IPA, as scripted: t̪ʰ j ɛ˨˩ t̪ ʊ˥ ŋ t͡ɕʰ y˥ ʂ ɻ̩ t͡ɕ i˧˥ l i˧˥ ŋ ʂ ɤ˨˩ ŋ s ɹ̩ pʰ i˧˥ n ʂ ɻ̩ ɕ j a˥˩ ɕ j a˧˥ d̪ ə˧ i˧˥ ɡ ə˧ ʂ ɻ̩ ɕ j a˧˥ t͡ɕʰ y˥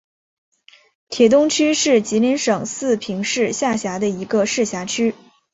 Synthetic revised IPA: t̪ʰ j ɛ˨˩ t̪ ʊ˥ ŋ t͡ɕʰ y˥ ʂ ɻ̩ t͡ɕ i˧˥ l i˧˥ n ʂ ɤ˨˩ ŋ s ɹ̩ pʰ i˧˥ ŋ ʂ ɻ̩ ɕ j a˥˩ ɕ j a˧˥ d̪ ə˧ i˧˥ ɡ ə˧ ʂ ɻ̩ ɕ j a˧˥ t͡ɕʰ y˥